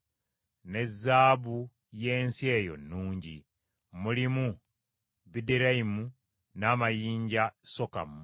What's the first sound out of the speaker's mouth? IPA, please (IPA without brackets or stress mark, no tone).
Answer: n